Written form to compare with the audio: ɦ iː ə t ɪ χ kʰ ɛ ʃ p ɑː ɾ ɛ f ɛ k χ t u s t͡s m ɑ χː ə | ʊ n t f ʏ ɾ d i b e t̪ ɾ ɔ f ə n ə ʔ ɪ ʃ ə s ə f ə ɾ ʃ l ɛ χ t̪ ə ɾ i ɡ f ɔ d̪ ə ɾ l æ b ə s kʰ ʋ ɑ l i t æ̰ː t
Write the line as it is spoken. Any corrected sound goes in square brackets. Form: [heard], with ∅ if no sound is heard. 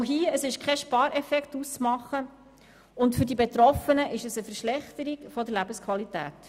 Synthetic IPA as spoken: ɦ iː ə [s] ɪ [ʃ] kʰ ɛ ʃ p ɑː ɾ ɛ f ɛ k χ t u s t͡s m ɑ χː ə | ʊ n t f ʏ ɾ d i b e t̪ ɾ ɔ f ə n ə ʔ ɪ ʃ ə s ə f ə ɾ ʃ l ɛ χ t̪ ə ɾ i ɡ f ɔ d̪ ə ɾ l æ b ə s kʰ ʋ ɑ l i t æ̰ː t